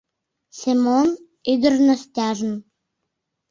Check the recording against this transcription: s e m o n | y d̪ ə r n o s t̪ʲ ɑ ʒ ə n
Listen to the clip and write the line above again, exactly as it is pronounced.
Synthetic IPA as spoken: s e m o n | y d̪ ə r n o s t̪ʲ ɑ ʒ ə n